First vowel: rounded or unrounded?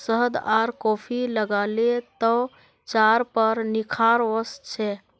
unrounded